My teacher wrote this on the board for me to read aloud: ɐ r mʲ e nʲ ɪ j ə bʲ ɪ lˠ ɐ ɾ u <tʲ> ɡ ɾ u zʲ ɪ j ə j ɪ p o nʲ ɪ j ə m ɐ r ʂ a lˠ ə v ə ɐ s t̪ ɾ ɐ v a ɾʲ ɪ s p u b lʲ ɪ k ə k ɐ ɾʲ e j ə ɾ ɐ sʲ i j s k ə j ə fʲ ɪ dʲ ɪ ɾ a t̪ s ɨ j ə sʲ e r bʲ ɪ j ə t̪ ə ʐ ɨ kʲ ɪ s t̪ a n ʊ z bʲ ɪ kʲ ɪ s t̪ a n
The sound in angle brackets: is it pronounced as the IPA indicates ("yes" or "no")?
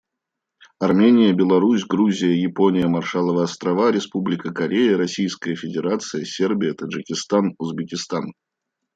no